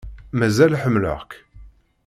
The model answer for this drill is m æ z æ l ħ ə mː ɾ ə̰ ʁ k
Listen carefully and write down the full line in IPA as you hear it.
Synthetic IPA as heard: m æ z æ l ħ ə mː l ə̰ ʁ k